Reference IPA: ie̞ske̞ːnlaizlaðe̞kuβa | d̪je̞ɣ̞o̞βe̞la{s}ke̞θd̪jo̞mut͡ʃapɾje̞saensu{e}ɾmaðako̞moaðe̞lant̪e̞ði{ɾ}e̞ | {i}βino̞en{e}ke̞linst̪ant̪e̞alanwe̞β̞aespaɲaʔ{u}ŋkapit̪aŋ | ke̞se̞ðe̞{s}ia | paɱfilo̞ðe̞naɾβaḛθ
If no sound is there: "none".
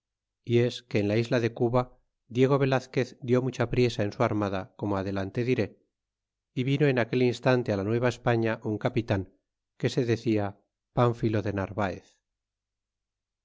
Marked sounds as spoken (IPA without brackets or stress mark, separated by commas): θ, a, ɾ, i, a, u, θ